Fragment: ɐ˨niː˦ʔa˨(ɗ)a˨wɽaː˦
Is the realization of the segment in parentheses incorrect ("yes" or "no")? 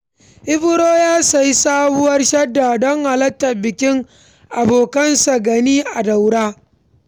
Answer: yes